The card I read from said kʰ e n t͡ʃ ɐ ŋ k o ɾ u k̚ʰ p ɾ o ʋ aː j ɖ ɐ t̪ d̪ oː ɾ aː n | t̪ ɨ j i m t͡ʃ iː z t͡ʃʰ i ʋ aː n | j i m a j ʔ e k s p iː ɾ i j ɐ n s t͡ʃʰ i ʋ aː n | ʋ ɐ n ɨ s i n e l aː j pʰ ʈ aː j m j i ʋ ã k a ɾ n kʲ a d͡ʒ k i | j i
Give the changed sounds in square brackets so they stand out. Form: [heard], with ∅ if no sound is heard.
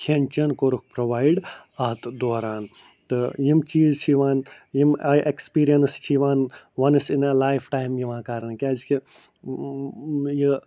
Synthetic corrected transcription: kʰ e n t͡ʃ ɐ [n] k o ɾ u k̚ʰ p ɾ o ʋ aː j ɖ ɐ t̪ d̪ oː ɾ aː n | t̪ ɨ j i m t͡ʃ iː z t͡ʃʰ i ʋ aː n | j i m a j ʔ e k s p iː ɾ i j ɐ n s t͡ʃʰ i ʋ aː n | ʋ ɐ n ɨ s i n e l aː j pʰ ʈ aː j m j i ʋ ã k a ɾ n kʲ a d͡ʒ k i | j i